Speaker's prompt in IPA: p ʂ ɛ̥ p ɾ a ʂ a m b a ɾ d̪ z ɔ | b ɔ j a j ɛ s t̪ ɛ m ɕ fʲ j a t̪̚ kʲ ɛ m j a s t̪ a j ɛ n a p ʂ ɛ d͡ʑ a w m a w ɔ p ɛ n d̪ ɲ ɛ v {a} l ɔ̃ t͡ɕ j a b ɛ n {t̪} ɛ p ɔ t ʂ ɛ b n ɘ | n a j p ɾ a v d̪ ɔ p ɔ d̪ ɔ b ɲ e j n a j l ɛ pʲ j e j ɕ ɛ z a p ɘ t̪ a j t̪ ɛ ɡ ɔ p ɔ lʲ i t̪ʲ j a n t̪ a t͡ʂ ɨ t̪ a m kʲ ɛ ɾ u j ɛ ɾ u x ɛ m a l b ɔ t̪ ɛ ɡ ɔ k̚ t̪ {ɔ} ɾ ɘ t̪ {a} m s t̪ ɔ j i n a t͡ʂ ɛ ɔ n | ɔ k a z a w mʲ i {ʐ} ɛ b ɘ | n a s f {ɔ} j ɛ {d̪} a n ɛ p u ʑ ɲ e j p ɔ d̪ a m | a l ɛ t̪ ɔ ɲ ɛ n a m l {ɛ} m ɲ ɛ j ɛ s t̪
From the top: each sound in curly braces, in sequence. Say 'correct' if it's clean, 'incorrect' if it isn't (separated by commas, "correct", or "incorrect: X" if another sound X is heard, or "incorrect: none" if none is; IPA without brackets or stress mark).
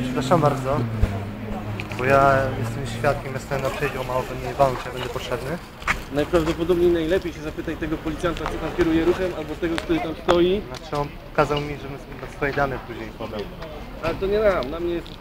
correct, incorrect: d̪, incorrect: u, correct, correct, correct, correct, incorrect: a